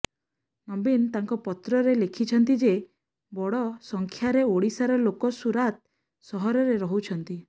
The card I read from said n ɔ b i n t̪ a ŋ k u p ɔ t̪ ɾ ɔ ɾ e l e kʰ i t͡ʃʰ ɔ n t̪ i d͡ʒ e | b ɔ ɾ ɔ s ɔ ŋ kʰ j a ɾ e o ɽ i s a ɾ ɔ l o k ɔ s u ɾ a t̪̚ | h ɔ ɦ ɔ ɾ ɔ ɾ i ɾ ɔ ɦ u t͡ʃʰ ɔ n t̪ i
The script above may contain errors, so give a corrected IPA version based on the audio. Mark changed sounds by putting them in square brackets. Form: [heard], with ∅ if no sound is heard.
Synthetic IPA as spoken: n ɔ b i n t̪ a ŋ k [ɔ] p ɔ t̪ ɾ ɔ ɾ e l e kʰ i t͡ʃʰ ɔ n t̪ i d͡ʒ e | b ɔ [ɽ] ɔ s ɔ ŋ kʰ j a ɾ e o ɽ i s a ɾ ɔ l o k ɔ s u ɾ a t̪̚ | [s] ɔ ɦ ɔ ɾ ɔ ɾ [e] ɾ ɔ ɦ u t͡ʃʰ ɔ n t̪ i